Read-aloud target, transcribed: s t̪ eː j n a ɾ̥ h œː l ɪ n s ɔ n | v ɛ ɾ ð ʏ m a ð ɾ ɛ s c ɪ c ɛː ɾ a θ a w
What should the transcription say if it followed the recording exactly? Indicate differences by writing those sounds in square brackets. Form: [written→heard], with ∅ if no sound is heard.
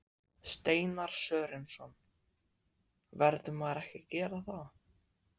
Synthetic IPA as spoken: s t̪ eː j n a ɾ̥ [h→s] œː [l→ɾ] ɪ n s ɔ n | v ɛ ɾ ð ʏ m a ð ɾ ɛ [s→h] c ɪ c ɛː ɾ a θ a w